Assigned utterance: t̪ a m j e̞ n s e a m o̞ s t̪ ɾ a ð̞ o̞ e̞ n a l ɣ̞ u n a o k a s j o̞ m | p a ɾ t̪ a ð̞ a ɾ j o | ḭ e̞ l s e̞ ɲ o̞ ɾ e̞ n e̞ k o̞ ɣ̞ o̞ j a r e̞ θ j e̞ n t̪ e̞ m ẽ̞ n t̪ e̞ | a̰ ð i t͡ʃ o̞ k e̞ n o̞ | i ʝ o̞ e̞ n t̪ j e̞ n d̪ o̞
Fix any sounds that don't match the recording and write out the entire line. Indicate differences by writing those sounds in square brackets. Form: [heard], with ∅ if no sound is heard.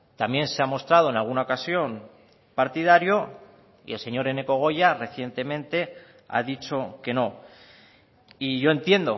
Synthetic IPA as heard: t̪ a m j e̞ n s e a m o̞ s t̪ ɾ a ð̞ o̞ e̞ n a l ɣ̞ u n a o k a s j o̞ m | p a ɾ t̪ [i] ð̞ a ɾ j o | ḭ e̞ l s e̞ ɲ o̞ ɾ e̞ n e̞ k o̞ ɣ̞ o̞ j a r e̞ θ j e̞ n t̪ e̞ m ẽ̞ n t̪ e̞ | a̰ ð i t͡ʃ o̞ k e̞ n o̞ | i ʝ o̞ e̞ n t̪ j e̞ n d̪ o̞